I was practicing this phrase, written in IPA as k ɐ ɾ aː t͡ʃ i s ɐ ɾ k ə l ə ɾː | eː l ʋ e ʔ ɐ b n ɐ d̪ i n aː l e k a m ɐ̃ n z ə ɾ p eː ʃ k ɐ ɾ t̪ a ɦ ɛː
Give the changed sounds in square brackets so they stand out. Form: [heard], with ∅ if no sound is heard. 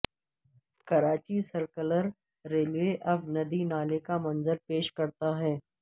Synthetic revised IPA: k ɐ ɾ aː t͡ʃ i s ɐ ɾ k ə l ə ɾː | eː l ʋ e ʔ ɐ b n ɐ d̪ i n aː l e k a m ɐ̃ n z ə ɾ p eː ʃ k ɐ ɾ t̪ a ɦ ɛː